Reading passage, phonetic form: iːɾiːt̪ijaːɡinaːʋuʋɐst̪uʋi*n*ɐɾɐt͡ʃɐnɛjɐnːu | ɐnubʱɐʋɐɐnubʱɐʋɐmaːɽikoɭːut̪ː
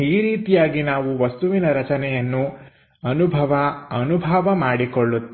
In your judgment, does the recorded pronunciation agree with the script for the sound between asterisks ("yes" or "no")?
yes